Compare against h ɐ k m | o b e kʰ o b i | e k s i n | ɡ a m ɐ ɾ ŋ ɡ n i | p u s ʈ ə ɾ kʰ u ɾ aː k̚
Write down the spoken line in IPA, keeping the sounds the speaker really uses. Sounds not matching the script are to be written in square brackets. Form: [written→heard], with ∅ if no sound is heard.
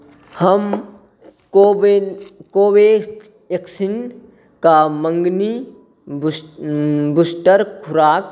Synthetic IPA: h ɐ [k→∅] m | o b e [kʰ→k] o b [i→e] | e k s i n | [ɡ→k] a m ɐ [ɾ→∅] ŋ ɡ n i | [p→b] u s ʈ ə ɾ kʰ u ɾ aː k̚